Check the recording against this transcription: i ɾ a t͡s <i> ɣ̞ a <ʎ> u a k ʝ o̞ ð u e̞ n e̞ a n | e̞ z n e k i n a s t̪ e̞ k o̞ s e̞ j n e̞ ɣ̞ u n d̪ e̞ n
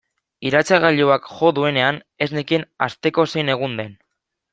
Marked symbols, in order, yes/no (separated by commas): no, yes